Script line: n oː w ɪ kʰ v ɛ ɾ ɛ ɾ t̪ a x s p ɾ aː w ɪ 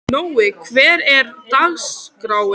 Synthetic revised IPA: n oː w ɪ kʰ v ɛː ɾ ɛ ɾ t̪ a ɣ s k ɾ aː w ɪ